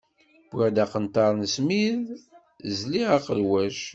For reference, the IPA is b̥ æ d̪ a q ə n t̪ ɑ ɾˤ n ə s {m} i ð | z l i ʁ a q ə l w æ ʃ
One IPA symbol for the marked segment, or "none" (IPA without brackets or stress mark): m